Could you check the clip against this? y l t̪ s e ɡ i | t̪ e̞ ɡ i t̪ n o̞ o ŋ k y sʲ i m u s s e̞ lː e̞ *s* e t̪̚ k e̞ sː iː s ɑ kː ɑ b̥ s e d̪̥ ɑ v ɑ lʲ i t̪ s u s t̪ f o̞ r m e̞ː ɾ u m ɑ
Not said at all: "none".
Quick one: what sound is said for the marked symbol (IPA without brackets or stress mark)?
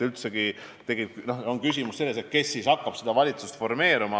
s